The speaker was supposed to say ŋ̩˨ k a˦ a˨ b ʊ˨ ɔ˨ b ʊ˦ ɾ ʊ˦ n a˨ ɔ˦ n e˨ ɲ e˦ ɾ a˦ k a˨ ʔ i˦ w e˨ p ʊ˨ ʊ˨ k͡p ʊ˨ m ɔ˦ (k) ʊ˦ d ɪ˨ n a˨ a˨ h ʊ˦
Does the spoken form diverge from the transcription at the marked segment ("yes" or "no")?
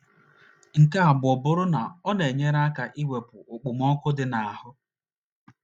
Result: no